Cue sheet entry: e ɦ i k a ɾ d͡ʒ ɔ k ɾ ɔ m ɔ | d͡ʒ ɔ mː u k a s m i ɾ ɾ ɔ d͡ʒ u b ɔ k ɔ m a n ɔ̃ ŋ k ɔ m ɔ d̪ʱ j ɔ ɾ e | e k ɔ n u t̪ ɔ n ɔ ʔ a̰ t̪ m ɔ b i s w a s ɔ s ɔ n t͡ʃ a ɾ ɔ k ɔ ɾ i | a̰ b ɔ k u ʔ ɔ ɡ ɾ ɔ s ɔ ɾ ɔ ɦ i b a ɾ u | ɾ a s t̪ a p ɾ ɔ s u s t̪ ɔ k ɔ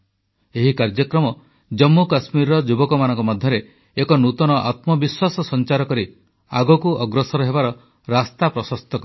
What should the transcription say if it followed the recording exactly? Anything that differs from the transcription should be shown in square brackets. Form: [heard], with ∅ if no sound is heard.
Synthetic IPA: e ɦ i k a ɾ d͡ʒ ɔ k ɾ ɔ m ɔ | d͡ʒ ɔ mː u k a s m i ɾ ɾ ɔ d͡ʒ u b ɔ k ɔ m a n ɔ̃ ŋ k ɔ m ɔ d̪ʱ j ɔ ɾ e | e k ɔ n u t̪ ɔ n ɔ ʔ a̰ t̪ m ɔ b i s w a s ɔ s ɔ n t͡ʃ a ɾ ɔ k ɔ ɾ i | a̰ [ɡ] ɔ k u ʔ ɔ ɡ ɾ ɔ s ɔ ɾ ɔ ɦ [e] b a ɾ [ɔ] | ɾ a s t̪ a p ɾ ɔ s [ɔ] s t̪ ɔ k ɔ

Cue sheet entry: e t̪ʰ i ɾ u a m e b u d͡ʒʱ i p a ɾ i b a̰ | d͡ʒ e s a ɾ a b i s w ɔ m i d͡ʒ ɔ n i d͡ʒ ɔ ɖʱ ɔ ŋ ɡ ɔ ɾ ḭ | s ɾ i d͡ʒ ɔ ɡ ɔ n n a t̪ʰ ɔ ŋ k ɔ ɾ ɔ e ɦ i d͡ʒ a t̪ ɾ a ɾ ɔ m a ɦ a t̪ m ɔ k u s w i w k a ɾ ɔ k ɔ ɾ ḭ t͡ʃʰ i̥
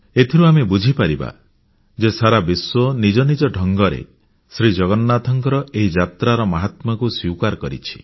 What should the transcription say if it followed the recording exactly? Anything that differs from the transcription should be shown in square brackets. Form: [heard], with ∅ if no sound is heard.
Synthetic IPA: e t̪ʰ i ɾ u a m e b u d͡ʒʱ i p a ɾ i b a̰ | d͡ʒ e s a ɾ a b i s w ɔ [n] i d͡ʒ ɔ n i d͡ʒ ɔ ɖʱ ɔ ŋ ɡ ɔ ɾ [ḛ] | s ɾ i d͡ʒ ɔ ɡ ɔ n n a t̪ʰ ɔ ŋ k ɔ ɾ ɔ e ɦ i d͡ʒ a t̪ ɾ a ɾ ɔ m a ɦ a t̪ m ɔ k u s w i w k a ɾ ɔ k ɔ ɾ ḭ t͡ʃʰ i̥

